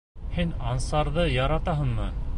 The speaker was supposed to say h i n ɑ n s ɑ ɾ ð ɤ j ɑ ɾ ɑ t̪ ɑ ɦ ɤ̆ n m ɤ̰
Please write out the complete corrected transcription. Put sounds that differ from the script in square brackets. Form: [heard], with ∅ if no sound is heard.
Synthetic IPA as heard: h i n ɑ n s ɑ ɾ ð ɤ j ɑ ɾ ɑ t̪ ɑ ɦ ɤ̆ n m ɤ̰